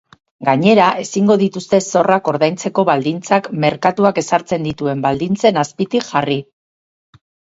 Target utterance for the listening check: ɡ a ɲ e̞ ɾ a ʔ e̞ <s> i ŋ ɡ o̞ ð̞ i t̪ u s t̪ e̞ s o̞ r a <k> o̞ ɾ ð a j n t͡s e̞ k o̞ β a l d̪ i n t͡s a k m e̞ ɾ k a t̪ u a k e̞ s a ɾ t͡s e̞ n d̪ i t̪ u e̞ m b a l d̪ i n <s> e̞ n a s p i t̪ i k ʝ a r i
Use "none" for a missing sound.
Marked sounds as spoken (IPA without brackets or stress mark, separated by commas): s, k, t͡s